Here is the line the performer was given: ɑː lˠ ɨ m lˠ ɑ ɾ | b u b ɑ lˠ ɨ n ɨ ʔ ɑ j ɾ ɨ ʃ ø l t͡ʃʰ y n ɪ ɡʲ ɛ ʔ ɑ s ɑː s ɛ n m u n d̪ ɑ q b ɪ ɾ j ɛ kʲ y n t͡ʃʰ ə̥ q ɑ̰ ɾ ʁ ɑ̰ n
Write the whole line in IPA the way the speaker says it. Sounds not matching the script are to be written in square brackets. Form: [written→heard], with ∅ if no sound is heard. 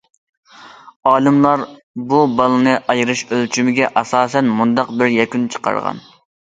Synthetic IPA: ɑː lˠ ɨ m lˠ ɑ ɾ | b u b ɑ lˠ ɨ n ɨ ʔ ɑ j ɾ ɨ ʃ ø l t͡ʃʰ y [n→m] ɪ ɡʲ ɛ ʔ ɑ s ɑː s ɛ n m u n d̪ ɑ q b ɪ ɾ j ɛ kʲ y n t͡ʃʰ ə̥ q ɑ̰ ɾ ʁ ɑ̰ n